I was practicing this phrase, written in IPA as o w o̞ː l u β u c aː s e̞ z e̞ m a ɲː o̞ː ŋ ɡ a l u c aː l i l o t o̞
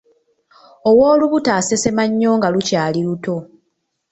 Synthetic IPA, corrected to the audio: o w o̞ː l u β u t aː s e̞ s e̞ m a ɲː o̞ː ŋ ɡ a l u c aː l i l u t o̞